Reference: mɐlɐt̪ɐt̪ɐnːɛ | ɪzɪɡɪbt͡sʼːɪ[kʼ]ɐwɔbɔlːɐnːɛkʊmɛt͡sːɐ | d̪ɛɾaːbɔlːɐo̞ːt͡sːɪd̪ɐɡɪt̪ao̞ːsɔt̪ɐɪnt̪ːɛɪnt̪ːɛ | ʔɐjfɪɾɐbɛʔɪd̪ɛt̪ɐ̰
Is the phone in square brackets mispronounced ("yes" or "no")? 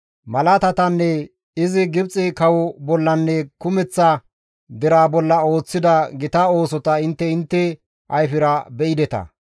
yes